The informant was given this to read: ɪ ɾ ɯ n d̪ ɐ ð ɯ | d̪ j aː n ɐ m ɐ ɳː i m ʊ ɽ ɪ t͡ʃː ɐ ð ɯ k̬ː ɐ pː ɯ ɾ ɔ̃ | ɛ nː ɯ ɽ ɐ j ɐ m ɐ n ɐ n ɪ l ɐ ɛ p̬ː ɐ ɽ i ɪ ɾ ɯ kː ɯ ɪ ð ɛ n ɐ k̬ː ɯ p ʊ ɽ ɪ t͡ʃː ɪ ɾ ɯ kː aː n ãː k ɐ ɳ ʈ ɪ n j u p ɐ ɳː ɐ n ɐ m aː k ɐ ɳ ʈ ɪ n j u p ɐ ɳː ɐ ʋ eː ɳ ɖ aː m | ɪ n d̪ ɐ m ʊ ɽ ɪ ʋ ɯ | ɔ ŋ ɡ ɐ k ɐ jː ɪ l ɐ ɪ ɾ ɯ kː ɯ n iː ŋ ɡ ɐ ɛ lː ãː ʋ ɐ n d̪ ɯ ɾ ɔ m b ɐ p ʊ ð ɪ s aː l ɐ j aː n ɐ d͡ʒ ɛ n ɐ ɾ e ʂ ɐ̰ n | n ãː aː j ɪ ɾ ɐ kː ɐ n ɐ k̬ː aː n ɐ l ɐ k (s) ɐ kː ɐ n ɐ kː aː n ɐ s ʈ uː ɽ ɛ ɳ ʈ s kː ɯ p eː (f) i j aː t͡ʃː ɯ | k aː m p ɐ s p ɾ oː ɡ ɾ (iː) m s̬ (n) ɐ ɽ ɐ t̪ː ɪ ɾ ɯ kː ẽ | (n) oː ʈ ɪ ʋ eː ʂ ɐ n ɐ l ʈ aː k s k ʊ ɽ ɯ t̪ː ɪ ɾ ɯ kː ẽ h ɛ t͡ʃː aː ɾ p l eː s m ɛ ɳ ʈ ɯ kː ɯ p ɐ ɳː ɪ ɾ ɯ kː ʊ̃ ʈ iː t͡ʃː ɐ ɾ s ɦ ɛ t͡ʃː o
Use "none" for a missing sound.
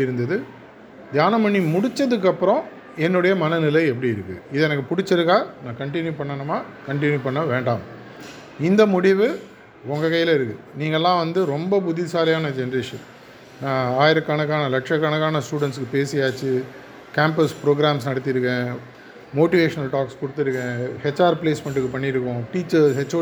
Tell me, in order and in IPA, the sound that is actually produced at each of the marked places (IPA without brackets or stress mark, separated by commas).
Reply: ʂ, s, aː, n, m